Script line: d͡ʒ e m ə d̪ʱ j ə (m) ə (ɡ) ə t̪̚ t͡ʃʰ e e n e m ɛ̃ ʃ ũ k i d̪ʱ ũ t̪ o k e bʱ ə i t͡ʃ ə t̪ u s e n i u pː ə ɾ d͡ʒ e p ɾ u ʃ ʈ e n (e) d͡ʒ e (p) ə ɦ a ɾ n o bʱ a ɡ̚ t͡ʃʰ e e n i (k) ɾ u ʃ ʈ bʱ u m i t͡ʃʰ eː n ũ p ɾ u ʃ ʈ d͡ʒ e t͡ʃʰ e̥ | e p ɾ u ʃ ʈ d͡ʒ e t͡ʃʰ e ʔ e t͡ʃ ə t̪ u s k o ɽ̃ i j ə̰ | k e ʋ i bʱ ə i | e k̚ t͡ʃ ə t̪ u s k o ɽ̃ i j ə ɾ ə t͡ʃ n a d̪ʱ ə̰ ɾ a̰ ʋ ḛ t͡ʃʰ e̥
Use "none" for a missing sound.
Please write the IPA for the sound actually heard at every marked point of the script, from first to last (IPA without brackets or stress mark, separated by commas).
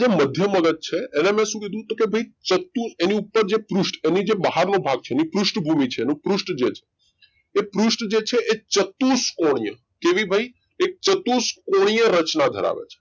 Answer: m, ɡ, i, b, p